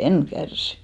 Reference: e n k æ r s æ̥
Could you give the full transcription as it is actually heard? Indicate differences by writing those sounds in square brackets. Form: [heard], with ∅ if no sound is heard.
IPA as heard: e n k æ r s [i̥]

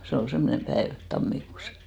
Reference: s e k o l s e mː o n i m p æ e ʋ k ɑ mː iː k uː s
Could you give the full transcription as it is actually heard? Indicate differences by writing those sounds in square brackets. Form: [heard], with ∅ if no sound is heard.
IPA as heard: s e [∅] o l s e mː o n [e] m p æ e ʋ [t] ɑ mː [i] k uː s

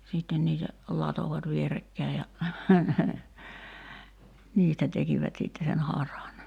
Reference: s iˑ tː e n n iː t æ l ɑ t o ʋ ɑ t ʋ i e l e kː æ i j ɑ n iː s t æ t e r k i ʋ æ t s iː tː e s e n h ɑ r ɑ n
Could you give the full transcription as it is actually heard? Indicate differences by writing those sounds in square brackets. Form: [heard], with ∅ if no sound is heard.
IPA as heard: s iˑ tː e n n iː t æ l ɑ t o ʋ ɑ t ʋ i e [r] e kː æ i j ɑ n iː s t æ t e [∅] k i ʋ æ t s [i] tː e s e n h ɑ r ɑ n

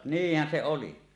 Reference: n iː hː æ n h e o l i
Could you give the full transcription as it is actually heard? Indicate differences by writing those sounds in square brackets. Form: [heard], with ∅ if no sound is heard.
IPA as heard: n iː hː æ n [s] e o l i

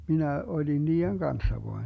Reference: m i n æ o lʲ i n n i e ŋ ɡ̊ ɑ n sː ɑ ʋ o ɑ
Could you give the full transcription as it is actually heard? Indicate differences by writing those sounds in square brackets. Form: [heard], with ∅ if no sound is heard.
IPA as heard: m i n æ o lʲ i n n [iː] e ŋ ɡ̊ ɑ n sː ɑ ʋ o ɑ

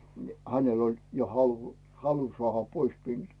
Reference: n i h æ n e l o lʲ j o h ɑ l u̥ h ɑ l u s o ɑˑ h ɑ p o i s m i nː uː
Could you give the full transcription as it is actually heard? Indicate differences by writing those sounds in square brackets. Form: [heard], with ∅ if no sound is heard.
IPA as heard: n i h æ n e l o lʲ j o h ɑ l u̥ h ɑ l u s o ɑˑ h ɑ p o i s m i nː uː

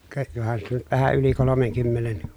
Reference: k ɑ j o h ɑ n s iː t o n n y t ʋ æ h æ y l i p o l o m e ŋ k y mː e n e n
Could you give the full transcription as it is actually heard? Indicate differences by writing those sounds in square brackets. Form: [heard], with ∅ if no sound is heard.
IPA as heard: k ɑ j o h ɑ n s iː t o n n y t ʋ æ h æ y l i [k] o l o m e ŋ k y mː e n e n

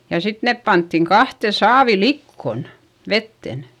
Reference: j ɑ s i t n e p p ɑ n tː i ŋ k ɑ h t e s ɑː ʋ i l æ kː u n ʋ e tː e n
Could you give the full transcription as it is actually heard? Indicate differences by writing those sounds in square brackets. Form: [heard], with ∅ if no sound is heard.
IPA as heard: j ɑ s i t n e p p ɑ n tː i ŋ k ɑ h t e s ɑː ʋ i l [i] kː [o] n ʋ e tː e n

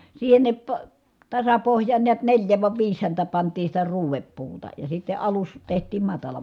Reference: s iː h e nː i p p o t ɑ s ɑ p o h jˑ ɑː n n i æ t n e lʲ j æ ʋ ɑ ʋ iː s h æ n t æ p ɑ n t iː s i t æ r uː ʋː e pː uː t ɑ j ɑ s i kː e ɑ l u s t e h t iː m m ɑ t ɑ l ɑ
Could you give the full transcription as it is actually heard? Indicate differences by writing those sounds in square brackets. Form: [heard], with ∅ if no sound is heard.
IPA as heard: s iː h e nː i p p o t ɑ s ɑ p o h jˑ ɑː n n i æ t n e lʲ j æ ʋ ɑ ʋ iː s h æ n t æ p ɑ n t iː s i t æ r uː [ʋ] e pː uː t ɑ j ɑ s i [tː] e ɑ l u s t e h t iː m m ɑ t ɑ l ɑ

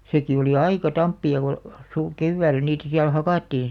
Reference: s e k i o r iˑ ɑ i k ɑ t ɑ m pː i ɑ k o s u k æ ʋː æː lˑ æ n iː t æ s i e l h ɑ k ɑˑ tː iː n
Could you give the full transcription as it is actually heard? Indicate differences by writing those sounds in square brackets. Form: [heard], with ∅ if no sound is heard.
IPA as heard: s e k i o [l] iˑ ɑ i k ɑ t ɑ m pː i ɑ k o s u k [e] ʋː æː lˑ æ n iː t æ s i [æ] l h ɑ k ɑˑ tː iː n

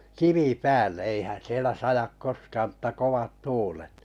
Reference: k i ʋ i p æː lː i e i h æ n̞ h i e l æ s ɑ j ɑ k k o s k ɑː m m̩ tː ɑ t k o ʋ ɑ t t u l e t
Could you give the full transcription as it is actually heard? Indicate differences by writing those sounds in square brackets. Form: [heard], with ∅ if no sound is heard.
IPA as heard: k i ʋ i p æː lː [e] e i h æ n̞ [s] i e l æ s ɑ j ɑ k k o s k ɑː m m̩ tː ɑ [∅] k o ʋ ɑ t t [uː] l e t

